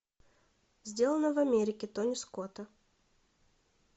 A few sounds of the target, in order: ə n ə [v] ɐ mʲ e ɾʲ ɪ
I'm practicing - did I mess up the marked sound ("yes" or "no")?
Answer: no